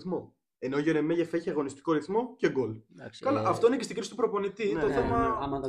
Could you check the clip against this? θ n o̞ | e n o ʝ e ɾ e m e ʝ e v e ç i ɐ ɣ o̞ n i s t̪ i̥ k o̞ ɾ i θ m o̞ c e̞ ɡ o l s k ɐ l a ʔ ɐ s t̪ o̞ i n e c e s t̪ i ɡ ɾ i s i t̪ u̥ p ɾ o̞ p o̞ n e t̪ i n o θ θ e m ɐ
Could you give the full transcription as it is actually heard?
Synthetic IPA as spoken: θ m o̞ | e n o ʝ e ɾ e m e ʝ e f e ç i ɐ ɣ o̞ n i s t̪ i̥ k o̞ ɾ i θ m o̞ c e̞ ɡ o l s k ɐ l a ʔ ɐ f t̪ o̞ i n e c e s t̪ i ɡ ɾ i s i t̪ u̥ p ɾ o̞ p o̞ n i t̪ i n o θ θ e m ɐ